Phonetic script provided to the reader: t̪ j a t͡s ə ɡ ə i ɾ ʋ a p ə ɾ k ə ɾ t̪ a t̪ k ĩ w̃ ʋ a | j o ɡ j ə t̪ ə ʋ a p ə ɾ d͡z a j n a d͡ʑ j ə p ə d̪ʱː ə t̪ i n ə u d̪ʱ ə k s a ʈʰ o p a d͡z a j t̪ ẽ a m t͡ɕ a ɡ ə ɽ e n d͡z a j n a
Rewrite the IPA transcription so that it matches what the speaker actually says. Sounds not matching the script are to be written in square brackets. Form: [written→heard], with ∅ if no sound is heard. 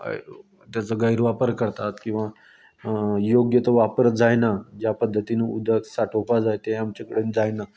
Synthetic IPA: t̪ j a t͡s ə ɡ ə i ɾ ʋ a p ə ɾ k ə ɾ t̪ a t̪ k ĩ w̃ ʋ a | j o ɡ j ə t̪ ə ʋ a p ə ɾ d͡z a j n a d͡ʑ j [ə→a] p ə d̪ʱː ə t̪ i n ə u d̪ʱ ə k s a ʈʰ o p a d͡z a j t̪ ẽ a m t͡ɕ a [ɡ→k] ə ɽ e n d͡z a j n a